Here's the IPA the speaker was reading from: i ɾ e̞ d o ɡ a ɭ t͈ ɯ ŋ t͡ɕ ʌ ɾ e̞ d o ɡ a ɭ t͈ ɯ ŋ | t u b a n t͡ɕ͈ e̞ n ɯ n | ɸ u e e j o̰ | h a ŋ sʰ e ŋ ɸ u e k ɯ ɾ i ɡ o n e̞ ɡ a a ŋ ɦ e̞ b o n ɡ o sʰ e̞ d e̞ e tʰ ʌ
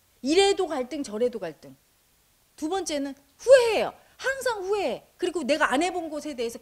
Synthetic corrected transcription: i ɾ e̞ d o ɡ a ɭ t͈ ɯ ŋ t͡ɕ ʌ ɾ e̞ d o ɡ a ɭ t͈ ɯ ŋ | t u b ʌ n t͡ɕ͈ e̞ n ɯ n | ɸ u e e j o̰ | h a ŋ sʰ a ŋ ɸ u e k ɯ ɾ i ɡ o n e̞ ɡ a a n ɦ e̞ b o n ɡ o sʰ e̞ d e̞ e sʰ ʌ